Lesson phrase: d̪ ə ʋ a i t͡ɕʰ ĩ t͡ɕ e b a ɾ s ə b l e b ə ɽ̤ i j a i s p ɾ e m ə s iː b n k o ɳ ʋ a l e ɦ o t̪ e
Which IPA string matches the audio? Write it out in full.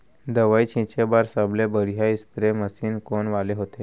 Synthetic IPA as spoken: d̪ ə ʋ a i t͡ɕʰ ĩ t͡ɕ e b a ɾ s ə b l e b ə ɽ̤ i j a i s p ɾ e m ə s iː n k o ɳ ʋ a l e ɦ o t̪ e